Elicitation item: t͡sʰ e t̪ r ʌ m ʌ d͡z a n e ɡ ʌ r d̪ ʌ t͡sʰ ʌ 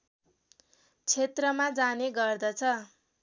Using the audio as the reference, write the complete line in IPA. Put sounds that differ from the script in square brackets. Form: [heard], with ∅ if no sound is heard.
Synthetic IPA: t͡sʰ e t̪ r ʌ m [a] d͡z a n e ɡ ʌ r d̪ ʌ t͡sʰ ʌ